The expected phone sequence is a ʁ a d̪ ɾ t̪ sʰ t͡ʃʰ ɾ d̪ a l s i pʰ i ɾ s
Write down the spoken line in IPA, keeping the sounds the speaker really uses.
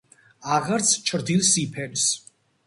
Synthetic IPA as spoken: a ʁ a ɾ t̪ sʰ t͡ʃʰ ɾ d̪ i l s i pʰ ɛ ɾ s